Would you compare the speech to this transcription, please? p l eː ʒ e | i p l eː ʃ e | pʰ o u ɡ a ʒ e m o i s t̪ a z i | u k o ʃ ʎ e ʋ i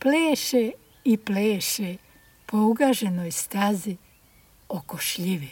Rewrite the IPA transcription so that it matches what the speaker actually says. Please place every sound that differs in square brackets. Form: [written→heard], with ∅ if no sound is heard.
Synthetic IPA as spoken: p l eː [ʒ→ʃ] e | i p l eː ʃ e | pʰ o u ɡ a ʒ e [m→n] o [i→j] s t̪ a z i | [u→o] k o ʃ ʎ [e→i] ʋ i